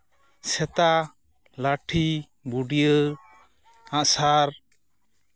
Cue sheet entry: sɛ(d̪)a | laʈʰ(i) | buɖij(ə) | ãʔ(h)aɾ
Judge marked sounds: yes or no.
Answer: no, yes, yes, no

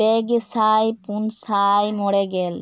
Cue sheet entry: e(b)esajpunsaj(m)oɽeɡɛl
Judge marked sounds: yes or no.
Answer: no, yes

